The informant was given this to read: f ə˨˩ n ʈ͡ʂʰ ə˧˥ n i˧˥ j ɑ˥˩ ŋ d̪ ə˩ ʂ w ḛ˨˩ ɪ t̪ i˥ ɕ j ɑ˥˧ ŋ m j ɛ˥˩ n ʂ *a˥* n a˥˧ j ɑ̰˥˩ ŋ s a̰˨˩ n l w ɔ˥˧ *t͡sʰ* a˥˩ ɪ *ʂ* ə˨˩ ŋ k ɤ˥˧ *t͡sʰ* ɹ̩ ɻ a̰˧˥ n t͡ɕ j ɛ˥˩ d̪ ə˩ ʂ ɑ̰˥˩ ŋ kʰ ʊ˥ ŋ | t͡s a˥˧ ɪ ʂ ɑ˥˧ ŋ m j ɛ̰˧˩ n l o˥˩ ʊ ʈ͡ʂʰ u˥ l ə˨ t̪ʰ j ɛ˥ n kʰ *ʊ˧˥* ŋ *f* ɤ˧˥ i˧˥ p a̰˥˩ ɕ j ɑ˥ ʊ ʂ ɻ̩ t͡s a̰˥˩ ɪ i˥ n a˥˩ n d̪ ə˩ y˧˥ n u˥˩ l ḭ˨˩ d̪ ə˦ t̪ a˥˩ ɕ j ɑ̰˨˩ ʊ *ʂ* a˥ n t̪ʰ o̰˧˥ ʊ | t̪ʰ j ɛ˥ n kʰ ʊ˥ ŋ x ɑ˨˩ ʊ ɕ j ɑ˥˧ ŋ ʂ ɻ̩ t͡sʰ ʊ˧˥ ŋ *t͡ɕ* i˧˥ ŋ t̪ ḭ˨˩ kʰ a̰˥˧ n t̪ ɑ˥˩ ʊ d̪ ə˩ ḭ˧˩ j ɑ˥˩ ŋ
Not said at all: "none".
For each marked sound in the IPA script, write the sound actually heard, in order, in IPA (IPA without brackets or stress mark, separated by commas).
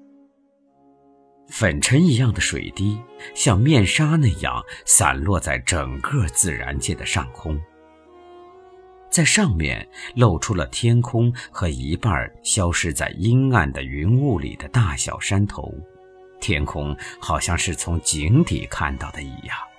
a˥, t͡s, ʈ͡ʂ, t͡s, ʊ˥, x, ʂ, t͡ɕ